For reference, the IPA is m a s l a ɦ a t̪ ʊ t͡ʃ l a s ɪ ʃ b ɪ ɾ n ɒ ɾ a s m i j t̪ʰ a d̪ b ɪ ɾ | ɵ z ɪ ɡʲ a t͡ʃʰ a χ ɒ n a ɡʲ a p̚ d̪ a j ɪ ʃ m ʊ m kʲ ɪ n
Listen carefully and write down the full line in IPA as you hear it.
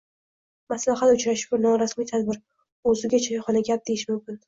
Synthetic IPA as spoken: m a s l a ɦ a t̪ ʊ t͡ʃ ɾ a ʃ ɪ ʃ b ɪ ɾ n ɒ ɾ a s m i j t̪ʰ a d̪ b ɪ ɾ | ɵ z ɪ ɡʲ a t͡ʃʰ a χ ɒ n a ɡʲ a p̚ d̪ e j ɪ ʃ m ʊ m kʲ ɪ n